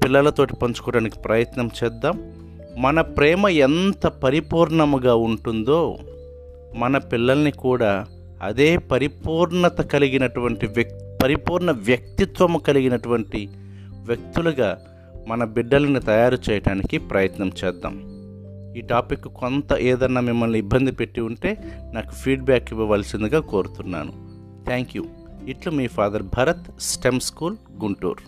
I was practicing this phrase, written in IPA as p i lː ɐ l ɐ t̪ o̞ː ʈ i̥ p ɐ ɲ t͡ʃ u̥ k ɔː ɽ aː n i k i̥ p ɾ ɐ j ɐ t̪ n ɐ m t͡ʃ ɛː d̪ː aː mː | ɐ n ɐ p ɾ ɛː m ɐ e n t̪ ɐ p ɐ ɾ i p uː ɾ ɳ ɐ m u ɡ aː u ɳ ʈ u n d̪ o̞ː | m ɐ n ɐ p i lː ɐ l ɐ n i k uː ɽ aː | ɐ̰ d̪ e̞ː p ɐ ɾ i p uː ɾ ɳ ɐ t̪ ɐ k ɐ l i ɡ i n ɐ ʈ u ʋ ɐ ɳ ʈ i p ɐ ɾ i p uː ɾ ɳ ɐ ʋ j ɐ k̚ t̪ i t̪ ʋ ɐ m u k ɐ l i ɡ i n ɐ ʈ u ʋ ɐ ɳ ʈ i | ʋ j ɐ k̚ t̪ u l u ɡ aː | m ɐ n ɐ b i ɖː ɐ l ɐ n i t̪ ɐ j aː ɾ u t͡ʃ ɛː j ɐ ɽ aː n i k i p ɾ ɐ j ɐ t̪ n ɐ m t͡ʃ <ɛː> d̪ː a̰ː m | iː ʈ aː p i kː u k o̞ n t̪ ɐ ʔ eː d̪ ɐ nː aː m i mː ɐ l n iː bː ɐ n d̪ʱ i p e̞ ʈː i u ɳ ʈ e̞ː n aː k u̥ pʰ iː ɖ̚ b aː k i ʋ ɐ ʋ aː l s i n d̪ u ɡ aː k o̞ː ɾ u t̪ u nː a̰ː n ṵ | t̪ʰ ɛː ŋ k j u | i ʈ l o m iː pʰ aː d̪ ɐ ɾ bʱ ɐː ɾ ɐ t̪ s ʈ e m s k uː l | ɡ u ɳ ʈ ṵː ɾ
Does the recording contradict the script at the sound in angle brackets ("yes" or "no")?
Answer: no